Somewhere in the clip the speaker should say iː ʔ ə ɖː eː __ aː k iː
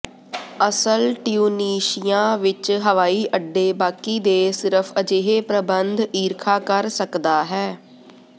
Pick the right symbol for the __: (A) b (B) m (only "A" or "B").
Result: A